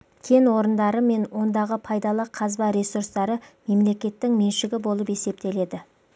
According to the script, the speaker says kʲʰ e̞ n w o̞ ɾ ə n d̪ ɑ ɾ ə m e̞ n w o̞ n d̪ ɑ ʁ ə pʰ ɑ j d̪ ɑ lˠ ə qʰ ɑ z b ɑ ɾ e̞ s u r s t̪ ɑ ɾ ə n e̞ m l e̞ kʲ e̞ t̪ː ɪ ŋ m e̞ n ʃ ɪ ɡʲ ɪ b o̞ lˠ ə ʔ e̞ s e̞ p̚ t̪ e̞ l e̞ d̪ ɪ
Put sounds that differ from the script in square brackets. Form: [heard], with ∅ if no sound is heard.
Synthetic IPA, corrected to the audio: kʲʰ e̞ n w o̞ ɾ ə n d̪ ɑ ɾ ə m e̞ n w o̞ n d̪ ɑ ʁ ə pʰ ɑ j d̪ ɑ lˠ ə qʰ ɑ z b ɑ ɾ e̞ s u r s t̪ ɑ ɾ ə [m] e̞ m l e̞ kʲ e̞ t̪ː ɪ ŋ m e̞ n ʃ ɪ ɡʲ ɪ b o̞ lˠ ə [p] e̞ s e̞ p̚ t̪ e̞ l e̞ d̪ ɪ